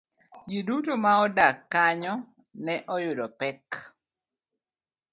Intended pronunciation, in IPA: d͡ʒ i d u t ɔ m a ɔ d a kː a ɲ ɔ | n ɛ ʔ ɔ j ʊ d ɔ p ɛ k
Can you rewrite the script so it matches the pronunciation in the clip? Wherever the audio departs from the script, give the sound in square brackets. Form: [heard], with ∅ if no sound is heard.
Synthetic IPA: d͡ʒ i d u t [o] m a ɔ d a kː a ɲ ɔ | n ɛ ʔ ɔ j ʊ d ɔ p ɛ k